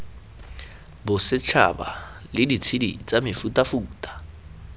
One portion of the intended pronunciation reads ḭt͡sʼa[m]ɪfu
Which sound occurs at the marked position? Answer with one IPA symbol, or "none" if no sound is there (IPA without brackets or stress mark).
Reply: m